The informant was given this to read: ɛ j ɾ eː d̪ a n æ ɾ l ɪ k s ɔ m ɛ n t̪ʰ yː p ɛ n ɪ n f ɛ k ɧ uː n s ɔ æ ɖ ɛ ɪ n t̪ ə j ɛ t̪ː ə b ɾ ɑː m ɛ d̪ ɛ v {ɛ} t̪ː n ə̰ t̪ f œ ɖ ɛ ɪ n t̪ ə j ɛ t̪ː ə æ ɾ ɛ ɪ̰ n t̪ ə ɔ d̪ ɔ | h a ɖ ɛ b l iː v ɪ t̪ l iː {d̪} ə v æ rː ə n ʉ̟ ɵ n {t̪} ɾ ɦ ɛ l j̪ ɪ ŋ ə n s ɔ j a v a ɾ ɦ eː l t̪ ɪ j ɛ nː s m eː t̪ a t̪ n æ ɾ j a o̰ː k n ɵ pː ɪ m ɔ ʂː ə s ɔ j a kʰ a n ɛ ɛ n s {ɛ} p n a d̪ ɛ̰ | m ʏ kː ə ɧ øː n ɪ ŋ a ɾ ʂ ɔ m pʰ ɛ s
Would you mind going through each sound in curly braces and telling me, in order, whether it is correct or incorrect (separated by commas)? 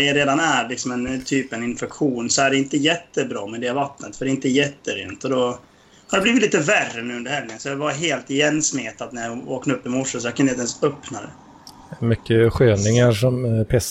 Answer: incorrect, incorrect, incorrect, incorrect